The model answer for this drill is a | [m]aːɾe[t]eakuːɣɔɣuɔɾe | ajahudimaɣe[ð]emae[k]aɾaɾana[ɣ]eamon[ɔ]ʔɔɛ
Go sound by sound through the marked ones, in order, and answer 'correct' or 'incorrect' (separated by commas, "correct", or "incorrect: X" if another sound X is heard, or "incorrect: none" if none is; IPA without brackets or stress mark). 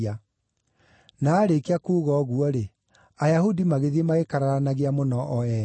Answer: incorrect: n, incorrect: k, correct, correct, correct, correct